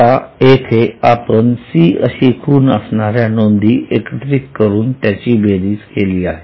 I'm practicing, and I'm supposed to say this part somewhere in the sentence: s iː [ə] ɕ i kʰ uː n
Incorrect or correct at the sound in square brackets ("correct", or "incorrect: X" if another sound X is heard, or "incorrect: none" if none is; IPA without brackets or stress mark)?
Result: correct